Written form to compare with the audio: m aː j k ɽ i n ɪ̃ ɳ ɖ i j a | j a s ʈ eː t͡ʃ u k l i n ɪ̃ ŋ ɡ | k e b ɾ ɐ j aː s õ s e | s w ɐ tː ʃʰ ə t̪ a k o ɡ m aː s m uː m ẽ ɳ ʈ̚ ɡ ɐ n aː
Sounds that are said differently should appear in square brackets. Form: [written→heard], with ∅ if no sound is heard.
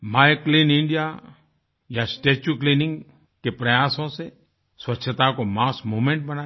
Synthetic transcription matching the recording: m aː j k [ɽ→l] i n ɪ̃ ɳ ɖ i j a | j a s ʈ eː t͡ʃ u k l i n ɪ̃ ŋ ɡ | k e [b→p] ɾ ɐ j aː s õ s e | s w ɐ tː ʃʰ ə t̪ a k o [ɡ→∅] m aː s m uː m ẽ ɳ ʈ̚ [ɡ→b] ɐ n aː